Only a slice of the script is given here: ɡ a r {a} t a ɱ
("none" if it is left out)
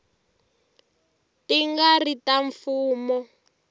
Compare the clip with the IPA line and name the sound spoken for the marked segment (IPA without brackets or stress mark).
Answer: i